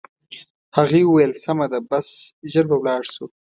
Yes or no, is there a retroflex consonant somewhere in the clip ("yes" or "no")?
yes